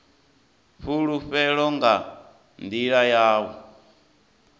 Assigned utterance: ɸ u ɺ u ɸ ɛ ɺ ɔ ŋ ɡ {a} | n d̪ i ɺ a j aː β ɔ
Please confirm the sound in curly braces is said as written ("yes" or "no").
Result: yes